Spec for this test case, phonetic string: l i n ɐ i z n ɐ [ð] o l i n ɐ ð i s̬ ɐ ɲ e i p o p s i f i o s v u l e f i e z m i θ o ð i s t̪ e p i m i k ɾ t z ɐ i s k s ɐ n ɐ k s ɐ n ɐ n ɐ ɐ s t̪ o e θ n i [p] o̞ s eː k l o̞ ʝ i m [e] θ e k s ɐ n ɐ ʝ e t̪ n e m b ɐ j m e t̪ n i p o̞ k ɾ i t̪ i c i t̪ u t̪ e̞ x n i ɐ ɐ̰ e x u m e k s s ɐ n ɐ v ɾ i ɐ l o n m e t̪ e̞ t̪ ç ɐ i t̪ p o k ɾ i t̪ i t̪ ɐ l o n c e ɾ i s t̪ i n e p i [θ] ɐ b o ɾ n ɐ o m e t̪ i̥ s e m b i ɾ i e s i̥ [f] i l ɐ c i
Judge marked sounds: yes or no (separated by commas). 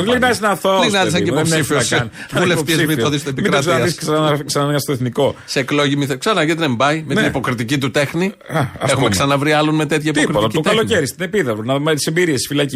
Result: no, no, no, no, yes